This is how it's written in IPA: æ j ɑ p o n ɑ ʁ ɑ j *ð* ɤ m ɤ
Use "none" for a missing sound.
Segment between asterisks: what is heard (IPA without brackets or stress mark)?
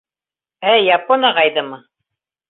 ð